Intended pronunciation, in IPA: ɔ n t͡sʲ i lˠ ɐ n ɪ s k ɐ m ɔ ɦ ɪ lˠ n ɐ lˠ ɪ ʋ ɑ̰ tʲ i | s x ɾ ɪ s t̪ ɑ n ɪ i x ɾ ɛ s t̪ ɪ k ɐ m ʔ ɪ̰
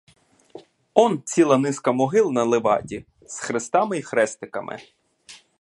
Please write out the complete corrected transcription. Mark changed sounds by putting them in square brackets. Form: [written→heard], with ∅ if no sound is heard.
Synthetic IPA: ɔ n t͡sʲ i lˠ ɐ n ɪ s k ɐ m ɔ ɦ ɪ lˠ n ɐ lˠ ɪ ʋ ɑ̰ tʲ i | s x ɾ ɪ s t̪ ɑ [n→m] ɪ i x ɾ ɛ s t̪ ɪ k ɐ m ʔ ɪ̰